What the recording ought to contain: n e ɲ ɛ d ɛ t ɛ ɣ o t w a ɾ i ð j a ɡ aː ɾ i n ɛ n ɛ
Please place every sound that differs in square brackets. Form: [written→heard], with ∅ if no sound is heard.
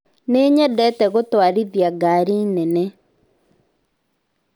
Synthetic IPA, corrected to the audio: n e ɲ ɛ d ɛ t ɛ ɣ o t w a ɾ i ð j a ɡ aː ɾ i n ɛ n ɛ